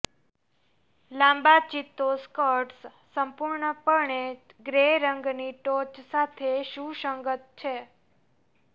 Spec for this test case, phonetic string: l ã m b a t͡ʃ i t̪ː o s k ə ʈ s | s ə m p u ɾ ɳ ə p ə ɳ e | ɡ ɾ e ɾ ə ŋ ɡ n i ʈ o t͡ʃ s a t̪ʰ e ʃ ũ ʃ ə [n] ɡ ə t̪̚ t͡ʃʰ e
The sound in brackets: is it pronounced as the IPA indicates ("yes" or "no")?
no